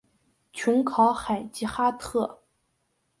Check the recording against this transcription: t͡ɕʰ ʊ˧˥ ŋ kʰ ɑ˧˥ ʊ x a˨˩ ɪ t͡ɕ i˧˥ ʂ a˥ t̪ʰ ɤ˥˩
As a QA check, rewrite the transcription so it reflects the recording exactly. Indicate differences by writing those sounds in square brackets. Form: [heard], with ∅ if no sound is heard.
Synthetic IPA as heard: t͡ɕʰ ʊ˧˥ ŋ kʰ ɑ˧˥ ʊ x a˨˩ ɪ t͡ɕ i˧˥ [x] a˥ t̪ʰ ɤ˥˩